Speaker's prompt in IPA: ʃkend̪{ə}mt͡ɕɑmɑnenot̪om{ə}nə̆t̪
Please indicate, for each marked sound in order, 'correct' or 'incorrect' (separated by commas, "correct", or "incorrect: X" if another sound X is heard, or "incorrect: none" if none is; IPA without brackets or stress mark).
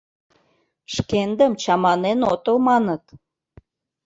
correct, incorrect: ɑ